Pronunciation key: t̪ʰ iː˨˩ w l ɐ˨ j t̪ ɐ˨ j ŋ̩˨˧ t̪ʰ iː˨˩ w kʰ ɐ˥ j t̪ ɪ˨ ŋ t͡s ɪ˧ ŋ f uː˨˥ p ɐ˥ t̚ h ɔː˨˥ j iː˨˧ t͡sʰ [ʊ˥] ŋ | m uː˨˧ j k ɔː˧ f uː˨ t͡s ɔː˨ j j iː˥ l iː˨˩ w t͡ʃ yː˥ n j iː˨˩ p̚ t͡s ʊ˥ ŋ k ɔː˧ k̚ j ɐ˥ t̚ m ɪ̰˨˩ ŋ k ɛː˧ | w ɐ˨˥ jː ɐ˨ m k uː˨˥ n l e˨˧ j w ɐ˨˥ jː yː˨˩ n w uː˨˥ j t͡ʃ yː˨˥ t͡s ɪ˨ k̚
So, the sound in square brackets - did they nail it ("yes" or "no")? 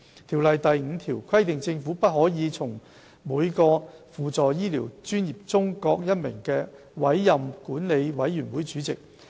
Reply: no